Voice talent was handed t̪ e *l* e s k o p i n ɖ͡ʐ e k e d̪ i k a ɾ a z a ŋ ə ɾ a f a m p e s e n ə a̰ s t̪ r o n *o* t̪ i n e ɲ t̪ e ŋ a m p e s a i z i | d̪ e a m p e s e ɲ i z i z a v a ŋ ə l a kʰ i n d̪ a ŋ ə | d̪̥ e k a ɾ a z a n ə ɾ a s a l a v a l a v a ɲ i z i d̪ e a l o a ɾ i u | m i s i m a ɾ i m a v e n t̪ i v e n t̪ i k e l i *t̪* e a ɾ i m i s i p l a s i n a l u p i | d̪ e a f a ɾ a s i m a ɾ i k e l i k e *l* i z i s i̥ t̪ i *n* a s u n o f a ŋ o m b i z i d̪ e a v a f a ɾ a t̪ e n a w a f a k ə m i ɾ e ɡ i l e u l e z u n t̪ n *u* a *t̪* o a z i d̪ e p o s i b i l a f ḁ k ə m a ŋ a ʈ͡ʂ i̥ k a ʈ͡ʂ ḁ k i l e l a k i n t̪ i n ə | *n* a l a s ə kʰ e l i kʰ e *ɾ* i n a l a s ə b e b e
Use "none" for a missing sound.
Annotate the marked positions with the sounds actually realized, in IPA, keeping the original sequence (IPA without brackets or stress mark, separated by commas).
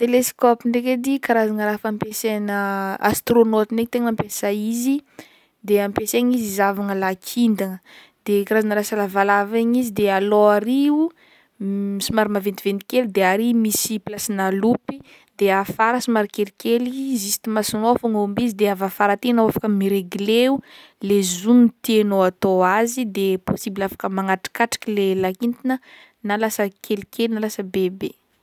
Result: l, o, d̪, l, m, o, t̪, n, l